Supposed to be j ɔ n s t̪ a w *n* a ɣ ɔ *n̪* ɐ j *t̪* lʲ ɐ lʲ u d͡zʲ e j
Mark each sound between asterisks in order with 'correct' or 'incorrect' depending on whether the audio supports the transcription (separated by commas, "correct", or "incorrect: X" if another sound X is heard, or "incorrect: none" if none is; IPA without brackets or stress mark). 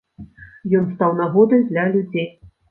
correct, incorrect: d̪, incorrect: d̪